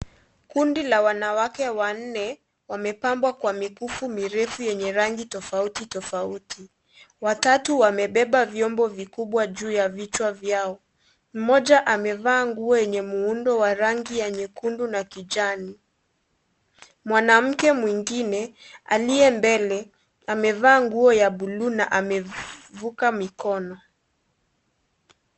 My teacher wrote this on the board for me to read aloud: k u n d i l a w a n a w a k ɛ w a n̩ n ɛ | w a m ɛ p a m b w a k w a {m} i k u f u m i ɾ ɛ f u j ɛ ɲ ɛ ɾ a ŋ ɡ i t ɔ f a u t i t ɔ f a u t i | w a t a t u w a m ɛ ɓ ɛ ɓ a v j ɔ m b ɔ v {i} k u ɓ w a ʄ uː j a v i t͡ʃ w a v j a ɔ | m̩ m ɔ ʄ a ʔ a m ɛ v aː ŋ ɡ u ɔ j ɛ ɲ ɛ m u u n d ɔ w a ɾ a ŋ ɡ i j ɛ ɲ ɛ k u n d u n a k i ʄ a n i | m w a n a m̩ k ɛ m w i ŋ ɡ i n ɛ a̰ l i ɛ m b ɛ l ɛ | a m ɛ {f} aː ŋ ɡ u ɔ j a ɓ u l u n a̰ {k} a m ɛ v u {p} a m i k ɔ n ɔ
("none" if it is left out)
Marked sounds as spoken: m, i, v, ʔ, k

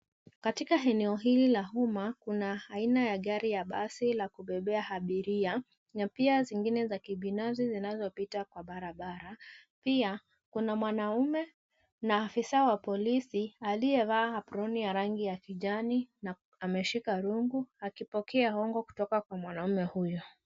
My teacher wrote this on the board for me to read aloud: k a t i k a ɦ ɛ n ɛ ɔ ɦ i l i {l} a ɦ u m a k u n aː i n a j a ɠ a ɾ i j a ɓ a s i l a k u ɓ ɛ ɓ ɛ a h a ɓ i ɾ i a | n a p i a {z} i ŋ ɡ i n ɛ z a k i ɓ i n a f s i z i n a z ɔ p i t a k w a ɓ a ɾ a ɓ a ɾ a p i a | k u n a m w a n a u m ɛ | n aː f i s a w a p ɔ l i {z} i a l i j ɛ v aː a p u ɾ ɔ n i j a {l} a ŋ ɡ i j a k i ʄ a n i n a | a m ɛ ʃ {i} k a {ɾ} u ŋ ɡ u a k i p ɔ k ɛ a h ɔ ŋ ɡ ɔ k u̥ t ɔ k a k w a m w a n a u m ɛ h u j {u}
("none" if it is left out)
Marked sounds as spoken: l, z, s, ɾ, i, ɾ, ɔ

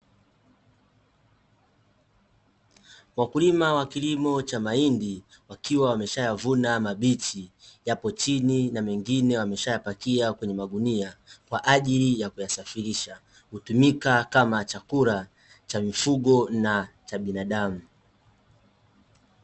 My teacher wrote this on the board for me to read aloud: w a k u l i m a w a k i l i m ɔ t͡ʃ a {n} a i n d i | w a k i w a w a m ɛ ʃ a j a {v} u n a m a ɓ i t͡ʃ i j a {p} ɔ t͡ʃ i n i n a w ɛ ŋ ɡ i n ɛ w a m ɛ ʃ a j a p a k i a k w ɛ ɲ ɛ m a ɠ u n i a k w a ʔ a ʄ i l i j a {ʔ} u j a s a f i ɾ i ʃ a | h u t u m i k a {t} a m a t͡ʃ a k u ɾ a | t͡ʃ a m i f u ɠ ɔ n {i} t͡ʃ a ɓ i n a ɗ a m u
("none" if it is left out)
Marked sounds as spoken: m, v, p, k, k, a

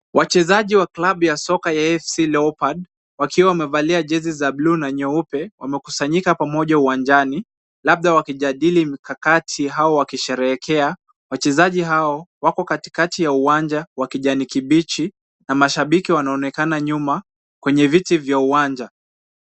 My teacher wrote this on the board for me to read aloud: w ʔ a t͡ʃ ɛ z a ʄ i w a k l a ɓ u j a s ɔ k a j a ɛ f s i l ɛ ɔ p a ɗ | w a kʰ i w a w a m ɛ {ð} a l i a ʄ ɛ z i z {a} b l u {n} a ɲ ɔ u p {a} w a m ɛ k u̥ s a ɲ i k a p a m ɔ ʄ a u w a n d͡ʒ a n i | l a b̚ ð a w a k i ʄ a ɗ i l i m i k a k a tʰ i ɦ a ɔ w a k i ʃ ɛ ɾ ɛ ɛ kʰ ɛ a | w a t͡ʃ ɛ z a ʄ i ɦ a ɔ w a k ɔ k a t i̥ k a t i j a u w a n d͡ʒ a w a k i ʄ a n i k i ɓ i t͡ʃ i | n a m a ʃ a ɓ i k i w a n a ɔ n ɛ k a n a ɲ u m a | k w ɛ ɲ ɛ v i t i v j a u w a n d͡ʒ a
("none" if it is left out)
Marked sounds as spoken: v, a, n, ɛ

